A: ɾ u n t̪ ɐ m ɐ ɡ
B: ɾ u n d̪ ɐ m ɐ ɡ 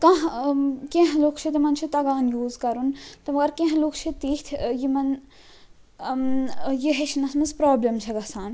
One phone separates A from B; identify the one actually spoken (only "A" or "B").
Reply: A